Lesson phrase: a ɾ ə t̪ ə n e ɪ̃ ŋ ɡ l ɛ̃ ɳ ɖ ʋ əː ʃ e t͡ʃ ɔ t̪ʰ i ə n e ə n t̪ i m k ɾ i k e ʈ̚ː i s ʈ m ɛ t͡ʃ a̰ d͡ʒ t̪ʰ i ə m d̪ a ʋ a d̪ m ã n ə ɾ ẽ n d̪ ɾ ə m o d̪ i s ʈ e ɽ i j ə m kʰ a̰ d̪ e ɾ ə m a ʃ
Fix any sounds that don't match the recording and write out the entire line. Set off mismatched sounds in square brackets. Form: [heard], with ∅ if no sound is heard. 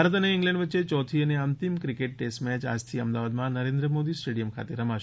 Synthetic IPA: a ɾ ə t̪ ə n e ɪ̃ ŋ ɡ l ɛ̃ ɳ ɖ ʋ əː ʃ e t͡ʃ ɔ t̪ʰ i ə n e ə n t̪ i m k ɾ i k e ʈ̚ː [e] s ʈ m ɛ t͡ʃ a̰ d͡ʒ t̪ʰ i ə m d̪ a ʋ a d̪ m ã n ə ɾ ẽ n d̪ ɾ ə m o d̪ i s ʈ e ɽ i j ə m kʰ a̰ [t̪] e ɾ ə m a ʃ